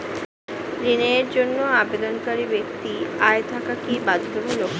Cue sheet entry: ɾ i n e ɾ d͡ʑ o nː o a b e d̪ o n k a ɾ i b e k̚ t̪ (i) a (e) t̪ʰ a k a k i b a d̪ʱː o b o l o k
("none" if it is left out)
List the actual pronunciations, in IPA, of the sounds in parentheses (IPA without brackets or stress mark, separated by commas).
i, e